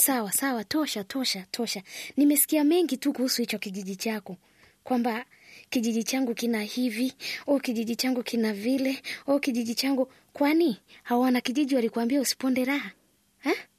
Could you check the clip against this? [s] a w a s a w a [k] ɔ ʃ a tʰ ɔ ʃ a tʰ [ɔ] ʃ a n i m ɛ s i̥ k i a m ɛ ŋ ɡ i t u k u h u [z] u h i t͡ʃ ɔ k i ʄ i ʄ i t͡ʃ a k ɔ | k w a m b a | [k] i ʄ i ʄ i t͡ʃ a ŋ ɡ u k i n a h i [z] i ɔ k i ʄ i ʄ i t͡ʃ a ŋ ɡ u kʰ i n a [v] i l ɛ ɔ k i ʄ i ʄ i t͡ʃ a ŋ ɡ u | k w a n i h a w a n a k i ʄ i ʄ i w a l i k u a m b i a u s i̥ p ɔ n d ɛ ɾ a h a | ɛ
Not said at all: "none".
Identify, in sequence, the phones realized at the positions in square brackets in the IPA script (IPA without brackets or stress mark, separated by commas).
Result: s, t, ɔ, s, k, v, v